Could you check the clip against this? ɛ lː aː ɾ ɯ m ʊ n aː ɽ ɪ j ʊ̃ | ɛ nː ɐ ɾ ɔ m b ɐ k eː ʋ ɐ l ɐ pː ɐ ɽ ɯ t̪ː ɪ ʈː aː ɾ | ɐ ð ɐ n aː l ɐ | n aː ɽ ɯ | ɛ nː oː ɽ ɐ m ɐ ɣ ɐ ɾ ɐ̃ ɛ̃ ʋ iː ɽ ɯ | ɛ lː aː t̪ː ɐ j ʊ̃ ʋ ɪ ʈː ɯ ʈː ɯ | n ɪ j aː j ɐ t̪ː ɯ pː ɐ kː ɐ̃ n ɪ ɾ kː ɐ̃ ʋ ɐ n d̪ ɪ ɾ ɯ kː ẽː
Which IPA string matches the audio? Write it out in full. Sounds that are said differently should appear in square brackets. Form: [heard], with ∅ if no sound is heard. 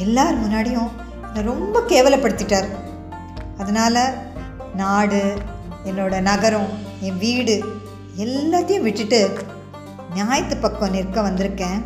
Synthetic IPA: ɛ lː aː ɾ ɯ m ʊ [nː] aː ɽ ɪ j ʊ̃ | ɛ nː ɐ ɾ ɔ m b ɐ k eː ʋ ɐ l ɐ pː ɐ ɽ ɯ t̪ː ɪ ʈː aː ɾ | ɐ ð ɐ n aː l ɐ | n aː ɽ ɯ | ɛ nː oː ɽ ɐ [n] ɐ ɣ ɐ ɾ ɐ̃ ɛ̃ ʋ iː ɽ ɯ | ɛ lː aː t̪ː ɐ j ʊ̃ ʋ ɪ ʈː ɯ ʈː ɯ | n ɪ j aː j ɐ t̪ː ɯ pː ɐ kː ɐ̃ n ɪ ɾ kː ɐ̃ ʋ ɐ n d̪ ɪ ɾ ɯ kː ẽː